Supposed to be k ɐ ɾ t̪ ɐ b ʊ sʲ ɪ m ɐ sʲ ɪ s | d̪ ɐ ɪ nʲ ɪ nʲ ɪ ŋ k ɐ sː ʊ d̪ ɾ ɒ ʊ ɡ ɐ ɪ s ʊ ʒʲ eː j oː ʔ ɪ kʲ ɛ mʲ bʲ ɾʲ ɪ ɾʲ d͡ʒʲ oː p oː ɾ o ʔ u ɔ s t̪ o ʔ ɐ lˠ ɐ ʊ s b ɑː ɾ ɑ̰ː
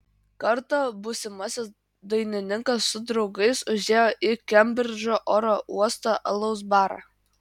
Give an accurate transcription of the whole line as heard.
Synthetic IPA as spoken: k ɐ ɾ t̪ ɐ b ʊ sʲ ɪ m ɐ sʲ ɪ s | d̪ ɐ ɪ nʲ ɪ nʲ ɪ ŋ k ɐ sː ʊ d̪ ɾ ɒ ʊ ɡ ɐ ɪ s ʊ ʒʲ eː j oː ʔ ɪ kʲ ɛ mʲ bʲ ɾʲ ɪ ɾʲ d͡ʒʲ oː ʔ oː ɾ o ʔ u ɔ s t̪ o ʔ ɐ lˠ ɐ ʊ s b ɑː ɾ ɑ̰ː